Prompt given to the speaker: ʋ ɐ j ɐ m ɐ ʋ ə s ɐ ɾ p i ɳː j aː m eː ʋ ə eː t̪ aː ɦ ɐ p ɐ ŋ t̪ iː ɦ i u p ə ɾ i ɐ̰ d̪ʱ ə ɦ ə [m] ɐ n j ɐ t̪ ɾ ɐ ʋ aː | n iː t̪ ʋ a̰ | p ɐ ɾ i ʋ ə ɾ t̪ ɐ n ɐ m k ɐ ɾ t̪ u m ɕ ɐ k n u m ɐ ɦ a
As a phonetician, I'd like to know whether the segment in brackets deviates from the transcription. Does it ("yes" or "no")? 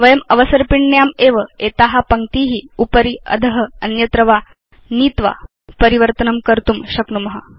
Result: yes